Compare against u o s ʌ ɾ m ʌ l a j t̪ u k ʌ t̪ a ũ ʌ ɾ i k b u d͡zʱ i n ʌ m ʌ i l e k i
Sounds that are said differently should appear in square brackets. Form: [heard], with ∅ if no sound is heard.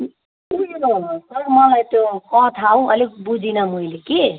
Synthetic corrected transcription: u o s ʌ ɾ m ʌ l a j t̪ [o] k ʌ [t̪ʰ] a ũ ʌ [l] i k b u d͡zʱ i n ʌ m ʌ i l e k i